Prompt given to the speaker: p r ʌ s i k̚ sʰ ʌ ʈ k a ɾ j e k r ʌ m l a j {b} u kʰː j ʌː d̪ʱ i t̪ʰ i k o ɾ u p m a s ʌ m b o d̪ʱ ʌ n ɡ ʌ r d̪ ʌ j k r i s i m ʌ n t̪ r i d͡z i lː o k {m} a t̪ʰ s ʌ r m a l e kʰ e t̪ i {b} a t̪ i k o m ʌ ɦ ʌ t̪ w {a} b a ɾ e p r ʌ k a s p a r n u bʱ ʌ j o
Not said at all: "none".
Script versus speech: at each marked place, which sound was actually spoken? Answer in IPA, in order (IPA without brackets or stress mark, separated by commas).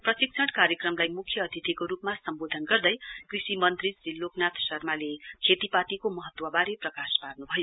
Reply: m, n, p, ʌ